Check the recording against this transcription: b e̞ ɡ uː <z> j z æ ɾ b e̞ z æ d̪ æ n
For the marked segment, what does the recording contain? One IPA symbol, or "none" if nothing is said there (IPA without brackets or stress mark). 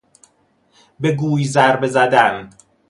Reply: none